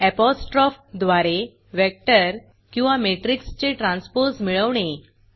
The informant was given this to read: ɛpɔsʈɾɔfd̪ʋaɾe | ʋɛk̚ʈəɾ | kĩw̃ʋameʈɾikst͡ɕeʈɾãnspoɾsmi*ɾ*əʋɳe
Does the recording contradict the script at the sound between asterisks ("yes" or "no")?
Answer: yes